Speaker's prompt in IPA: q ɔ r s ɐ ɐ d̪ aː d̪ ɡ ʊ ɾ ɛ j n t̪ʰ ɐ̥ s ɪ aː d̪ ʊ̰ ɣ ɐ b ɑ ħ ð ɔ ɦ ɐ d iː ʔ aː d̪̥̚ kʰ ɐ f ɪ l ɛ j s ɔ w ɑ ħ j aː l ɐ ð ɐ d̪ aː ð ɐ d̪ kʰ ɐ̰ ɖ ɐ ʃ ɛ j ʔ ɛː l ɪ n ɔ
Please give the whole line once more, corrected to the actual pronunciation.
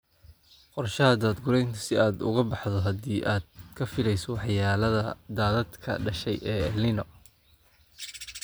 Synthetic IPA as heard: q ɔ r ʃ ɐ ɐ d̪ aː d̪ ɡ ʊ ɾ ɛ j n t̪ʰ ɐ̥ s ɪ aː d̪ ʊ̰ ɣ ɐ b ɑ ħ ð ɔ ɦ ɐ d iː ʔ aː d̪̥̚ kʰ ɐ f ɪ l ɛ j s ɔ w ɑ ħ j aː l ɐ ð ɐ d̪ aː ð ɐ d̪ kʰ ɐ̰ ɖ ɐ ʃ ɛ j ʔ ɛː l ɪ n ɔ